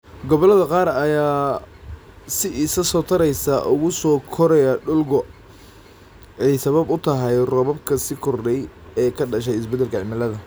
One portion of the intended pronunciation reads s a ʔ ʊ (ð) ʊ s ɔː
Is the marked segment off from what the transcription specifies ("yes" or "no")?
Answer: yes